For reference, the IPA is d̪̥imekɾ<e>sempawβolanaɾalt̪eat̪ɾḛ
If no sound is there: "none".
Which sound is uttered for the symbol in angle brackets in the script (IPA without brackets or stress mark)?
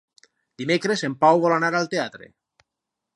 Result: e